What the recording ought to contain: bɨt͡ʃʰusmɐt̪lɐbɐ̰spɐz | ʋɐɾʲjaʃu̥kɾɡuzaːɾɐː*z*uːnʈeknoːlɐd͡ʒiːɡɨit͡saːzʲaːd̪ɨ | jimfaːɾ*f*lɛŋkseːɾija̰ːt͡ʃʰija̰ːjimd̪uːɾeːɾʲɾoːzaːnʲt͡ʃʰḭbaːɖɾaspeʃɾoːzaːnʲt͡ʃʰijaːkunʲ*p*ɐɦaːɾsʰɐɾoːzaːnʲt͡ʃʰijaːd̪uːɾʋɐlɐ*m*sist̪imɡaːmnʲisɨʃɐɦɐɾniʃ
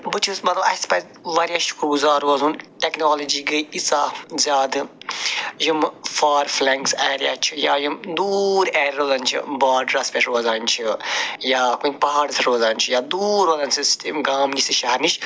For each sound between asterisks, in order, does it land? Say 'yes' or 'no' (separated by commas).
yes, yes, yes, no